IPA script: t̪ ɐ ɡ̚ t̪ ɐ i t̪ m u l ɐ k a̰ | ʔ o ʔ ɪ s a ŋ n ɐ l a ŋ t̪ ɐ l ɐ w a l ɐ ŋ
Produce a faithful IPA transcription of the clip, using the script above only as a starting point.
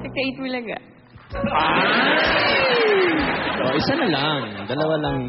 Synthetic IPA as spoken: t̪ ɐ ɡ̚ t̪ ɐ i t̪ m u l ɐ ɡ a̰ | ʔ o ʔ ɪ s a n ɐ l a ŋ d̪ ɐ l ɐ w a l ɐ ŋ

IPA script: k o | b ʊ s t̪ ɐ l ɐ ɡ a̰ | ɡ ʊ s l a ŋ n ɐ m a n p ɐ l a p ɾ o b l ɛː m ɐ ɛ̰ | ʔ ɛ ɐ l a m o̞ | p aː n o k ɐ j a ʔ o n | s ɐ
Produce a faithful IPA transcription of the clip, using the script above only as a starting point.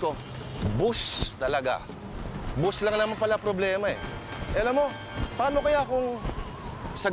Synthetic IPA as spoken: k o | b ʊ s t̪ ɐ l ɐ ɡ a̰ | b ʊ s l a ŋ n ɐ m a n p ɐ l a p ɾ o b l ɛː m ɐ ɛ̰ | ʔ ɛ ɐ l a m o̞ | p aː n o k ɐ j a k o ŋ | s ɐ

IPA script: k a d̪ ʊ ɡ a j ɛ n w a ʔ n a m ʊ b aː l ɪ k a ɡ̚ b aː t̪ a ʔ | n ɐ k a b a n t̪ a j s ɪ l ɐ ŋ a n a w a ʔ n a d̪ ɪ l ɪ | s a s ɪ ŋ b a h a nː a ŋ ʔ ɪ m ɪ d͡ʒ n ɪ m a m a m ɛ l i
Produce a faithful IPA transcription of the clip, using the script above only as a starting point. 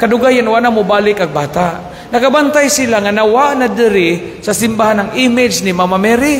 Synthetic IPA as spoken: k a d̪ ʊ ɡ a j a n w a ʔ n a m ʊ b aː l ɪ k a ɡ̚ b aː t̪ a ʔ | n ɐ k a b a n t̪ a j s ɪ l a ŋ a n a w a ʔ n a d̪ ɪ ɾ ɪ | s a s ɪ m b a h a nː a ŋ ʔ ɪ m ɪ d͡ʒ n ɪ m a m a m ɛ ɾ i

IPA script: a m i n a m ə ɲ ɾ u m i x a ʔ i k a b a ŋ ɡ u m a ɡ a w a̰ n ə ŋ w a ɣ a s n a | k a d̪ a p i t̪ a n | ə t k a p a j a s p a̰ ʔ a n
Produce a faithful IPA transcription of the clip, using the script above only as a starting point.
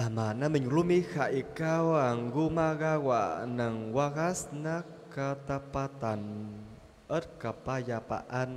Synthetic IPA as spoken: a m a n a m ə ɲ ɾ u m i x a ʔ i k a w a ŋ ɡ u m a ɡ a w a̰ n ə ŋ w a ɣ a s n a | k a t̪ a p a t̪ a n | ə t k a p a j a p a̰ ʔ a n

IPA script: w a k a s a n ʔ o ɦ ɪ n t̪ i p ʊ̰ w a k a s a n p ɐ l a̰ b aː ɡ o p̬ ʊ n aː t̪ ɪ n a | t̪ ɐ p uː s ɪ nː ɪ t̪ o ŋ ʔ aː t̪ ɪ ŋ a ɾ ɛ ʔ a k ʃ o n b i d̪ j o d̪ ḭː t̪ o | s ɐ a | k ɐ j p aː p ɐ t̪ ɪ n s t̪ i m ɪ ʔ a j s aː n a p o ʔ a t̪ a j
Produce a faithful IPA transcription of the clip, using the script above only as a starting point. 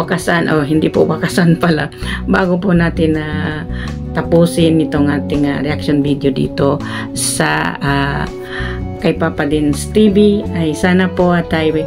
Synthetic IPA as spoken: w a k a s a n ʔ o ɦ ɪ n d̪ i p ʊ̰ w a k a s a n p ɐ l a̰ b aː ɡ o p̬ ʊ n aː t̪ ɪ n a | t̪ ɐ p uː s ɪ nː ɪ t̪ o ŋ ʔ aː t̪ ɪ ŋ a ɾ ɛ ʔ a k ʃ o n b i d̪ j o d̪ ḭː t̪ o | s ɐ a | k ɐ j p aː p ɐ d̪ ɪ n s t̪ i b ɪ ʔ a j s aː n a p o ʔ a t̪ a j

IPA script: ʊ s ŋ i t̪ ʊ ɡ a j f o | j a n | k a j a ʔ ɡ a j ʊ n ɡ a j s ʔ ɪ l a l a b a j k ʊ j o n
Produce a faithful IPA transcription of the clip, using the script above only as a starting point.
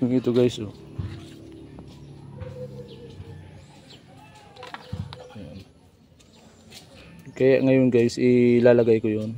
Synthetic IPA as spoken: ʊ ŋ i t̪ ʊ ɡ a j s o | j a n | k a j a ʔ ŋ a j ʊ n ɡ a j s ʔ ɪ l a l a ɡ a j k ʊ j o n

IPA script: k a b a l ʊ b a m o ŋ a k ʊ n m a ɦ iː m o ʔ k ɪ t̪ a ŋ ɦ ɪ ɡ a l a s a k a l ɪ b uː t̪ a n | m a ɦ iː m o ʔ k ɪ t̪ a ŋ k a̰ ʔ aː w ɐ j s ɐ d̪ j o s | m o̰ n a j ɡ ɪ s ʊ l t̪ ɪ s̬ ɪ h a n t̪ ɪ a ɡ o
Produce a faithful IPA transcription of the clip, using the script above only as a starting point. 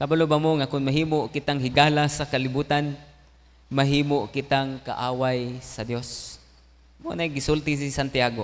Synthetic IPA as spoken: k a b a l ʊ b a m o ŋ a k ʊ n m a ɦ iː m o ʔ k ɪ t̪ a ŋ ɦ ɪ ɡ a l a s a k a l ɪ b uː t̪ a n | m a ɦ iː m o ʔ k ɪ t̪ a ŋ k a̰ ʔ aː w a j s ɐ d̪ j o s | m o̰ n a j ɡ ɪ s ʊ l t̪ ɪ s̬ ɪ s a n t̪ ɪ a ɡ o

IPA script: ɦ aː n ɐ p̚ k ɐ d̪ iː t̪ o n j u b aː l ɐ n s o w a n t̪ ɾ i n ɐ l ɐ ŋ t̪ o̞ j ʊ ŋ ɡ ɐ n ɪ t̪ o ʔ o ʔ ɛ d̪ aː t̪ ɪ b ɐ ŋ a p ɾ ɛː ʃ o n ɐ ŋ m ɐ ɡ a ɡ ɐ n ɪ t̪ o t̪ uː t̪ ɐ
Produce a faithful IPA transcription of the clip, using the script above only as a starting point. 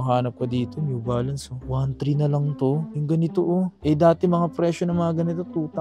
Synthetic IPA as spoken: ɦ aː n ɐ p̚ k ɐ d̪ iː t̪ o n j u b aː l ɐ n s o w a n t̪ ɾ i n ɐ l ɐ ŋ t̪ o̞ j ʊ ŋ ɡ ɐ n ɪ t̪ o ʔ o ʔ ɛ d̪ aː t̪ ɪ m ɐ ŋ a p ɾ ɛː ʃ o n ɐ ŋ m ɐ ŋ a ɡ ɐ n ɪ t̪ o t̪ uː t̪ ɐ

